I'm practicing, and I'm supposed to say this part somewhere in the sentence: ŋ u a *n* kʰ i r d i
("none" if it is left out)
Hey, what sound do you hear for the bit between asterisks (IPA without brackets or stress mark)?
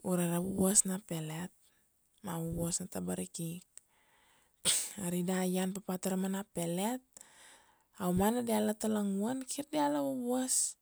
n